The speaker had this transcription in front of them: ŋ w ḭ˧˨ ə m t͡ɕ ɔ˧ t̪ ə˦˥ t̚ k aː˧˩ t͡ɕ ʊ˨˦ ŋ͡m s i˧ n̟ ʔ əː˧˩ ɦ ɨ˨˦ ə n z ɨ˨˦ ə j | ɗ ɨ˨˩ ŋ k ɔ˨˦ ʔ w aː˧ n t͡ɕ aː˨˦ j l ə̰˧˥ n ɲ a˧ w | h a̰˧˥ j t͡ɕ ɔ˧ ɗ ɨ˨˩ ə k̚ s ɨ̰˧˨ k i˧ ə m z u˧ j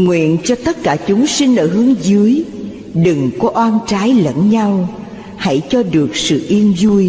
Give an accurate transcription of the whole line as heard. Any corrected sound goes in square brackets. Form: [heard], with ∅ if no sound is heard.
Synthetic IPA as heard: ŋ w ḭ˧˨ ə [n] t͡ɕ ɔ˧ t̪ ə˦˥ t̚ k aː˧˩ t͡ɕ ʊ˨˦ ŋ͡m s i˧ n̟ ʔ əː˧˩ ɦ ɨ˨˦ ə [ŋ] z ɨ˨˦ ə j | ɗ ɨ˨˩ ŋ k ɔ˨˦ ʔ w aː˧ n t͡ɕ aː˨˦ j l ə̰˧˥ n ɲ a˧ w | h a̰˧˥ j t͡ɕ ɔ˧ ɗ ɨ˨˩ ə k̚ s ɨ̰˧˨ [ʔ] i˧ ə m z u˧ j